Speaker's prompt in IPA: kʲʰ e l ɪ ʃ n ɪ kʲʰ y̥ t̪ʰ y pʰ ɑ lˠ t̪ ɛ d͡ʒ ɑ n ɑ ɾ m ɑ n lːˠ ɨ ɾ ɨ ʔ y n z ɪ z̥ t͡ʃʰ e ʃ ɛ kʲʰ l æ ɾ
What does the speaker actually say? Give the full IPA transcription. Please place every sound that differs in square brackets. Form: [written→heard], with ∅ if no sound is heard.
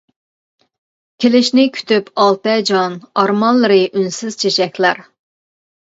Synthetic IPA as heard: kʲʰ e l ɪ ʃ n ɪ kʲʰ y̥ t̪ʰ y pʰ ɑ lˠ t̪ ɛ d͡ʒ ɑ n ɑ ɾ m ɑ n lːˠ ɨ ɾ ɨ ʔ y n [z→s] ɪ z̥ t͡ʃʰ e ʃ ɛ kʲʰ l æ ɾ

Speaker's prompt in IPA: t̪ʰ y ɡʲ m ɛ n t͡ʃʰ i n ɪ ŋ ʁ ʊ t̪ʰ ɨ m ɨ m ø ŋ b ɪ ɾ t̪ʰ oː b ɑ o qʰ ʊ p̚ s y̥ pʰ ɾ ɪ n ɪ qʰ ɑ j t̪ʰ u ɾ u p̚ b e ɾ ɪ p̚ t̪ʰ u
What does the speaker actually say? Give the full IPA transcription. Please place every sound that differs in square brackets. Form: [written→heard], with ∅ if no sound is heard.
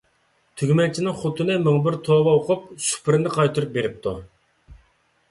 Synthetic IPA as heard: t̪ʰ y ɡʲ m ɛ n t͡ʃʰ i n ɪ ŋ [ʁ→χ] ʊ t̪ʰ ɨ [m→n] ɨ m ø ŋ b ɪ ɾ t̪ʰ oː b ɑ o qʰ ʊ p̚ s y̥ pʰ ɾ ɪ n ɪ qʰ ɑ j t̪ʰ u ɾ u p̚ b e ɾ ɪ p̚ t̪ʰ u

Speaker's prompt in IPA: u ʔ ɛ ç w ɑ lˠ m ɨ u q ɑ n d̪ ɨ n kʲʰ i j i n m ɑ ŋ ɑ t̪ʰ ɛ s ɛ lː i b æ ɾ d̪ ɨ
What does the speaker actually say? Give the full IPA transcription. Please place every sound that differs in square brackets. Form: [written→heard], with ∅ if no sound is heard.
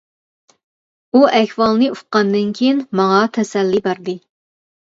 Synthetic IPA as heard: u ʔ ɛ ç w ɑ lˠ [m→n] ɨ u q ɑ n d̪ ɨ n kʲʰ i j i n m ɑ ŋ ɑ t̪ʰ ɛ s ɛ lː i b æ ɾ d̪ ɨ

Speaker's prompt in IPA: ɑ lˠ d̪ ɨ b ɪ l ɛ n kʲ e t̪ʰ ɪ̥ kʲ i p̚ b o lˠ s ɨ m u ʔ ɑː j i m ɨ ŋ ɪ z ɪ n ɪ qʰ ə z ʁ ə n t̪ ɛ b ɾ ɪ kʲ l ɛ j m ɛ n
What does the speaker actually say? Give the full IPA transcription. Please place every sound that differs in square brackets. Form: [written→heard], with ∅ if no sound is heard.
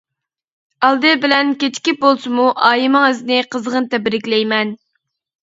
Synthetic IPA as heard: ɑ lˠ d̪ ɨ b ɪ l ɛ n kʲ e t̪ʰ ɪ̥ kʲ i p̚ b o lˠ s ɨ m u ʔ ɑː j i m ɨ ŋ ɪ z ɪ n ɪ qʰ ə z ʁ ə n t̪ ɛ b ɾ ɪ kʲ l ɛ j m ɛ n

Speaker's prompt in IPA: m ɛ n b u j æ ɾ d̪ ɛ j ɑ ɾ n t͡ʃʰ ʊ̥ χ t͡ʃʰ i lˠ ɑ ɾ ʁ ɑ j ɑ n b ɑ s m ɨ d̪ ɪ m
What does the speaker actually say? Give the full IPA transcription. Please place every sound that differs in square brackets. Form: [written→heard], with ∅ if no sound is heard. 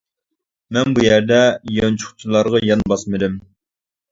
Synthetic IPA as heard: m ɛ n b u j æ ɾ d̪ ɛ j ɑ [ɾ→∅] n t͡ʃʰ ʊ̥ χ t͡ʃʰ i lˠ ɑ ɾ ʁ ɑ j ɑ n b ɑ s m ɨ d̪ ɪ m

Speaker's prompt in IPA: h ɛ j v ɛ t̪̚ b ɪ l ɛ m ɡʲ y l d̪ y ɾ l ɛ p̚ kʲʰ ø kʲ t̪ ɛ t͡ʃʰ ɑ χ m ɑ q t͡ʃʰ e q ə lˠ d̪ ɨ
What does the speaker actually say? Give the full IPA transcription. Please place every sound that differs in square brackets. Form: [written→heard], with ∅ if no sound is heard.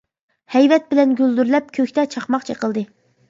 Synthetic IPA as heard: h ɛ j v ɛ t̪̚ b ɪ l ɛ [m→n] ɡʲ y l d̪ y ɾ l ɛ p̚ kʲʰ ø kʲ t̪ ɛ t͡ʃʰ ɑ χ m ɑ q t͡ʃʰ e q ə lˠ d̪ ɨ

